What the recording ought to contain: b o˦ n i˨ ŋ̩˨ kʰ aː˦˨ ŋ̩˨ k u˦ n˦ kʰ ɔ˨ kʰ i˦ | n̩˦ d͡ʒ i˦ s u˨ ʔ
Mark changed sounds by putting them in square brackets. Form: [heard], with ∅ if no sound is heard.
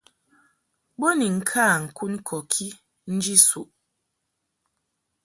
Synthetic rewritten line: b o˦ n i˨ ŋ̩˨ kʰ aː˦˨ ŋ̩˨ k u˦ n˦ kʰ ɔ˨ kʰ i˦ | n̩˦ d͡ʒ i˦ s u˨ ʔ